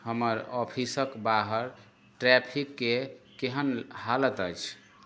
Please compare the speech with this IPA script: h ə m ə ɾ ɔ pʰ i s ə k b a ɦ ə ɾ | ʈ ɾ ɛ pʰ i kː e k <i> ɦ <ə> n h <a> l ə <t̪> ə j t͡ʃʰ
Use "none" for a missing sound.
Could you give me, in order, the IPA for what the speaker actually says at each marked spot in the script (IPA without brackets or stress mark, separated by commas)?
e, ə, a, t̪